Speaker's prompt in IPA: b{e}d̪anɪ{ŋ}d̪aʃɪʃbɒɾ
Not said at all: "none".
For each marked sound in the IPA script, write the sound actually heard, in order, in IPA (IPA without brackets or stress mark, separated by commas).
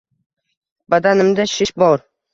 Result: a, m